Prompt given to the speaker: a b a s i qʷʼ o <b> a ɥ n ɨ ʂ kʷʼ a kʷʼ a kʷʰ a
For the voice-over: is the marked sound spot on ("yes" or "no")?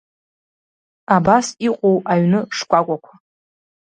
no